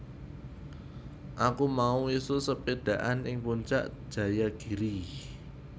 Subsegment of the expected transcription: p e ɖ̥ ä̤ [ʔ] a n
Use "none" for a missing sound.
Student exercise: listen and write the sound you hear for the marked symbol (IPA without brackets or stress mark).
ʔ